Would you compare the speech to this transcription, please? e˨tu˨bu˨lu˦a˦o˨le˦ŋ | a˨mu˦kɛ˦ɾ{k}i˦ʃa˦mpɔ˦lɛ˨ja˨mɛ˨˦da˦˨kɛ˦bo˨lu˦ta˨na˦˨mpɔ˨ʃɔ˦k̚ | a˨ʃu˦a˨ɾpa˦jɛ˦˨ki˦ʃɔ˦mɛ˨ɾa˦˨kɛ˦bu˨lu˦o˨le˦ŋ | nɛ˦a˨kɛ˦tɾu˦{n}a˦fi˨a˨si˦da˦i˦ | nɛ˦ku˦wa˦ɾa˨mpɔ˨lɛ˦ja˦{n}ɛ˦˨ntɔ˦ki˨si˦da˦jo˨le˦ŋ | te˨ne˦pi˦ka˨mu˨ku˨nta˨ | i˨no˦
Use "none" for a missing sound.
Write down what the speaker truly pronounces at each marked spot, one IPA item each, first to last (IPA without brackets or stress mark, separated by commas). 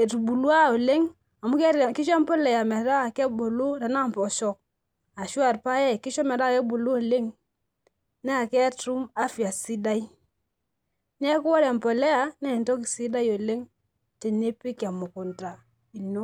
k, m, n